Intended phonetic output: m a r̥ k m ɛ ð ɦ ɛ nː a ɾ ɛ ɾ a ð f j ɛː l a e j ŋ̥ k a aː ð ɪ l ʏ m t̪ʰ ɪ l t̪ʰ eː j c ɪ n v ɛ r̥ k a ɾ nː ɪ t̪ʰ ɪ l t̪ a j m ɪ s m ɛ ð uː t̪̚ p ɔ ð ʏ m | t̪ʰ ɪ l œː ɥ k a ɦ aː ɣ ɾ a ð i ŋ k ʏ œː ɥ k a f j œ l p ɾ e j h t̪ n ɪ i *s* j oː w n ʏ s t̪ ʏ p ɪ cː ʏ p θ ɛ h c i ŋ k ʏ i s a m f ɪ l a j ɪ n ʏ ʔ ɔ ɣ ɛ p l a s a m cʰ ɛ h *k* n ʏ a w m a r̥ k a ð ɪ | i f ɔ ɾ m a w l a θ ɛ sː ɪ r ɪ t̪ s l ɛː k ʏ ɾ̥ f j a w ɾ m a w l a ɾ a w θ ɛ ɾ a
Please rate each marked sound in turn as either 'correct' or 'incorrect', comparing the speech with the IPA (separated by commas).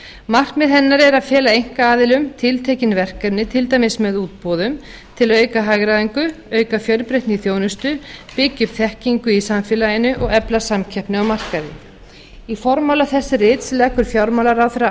incorrect, incorrect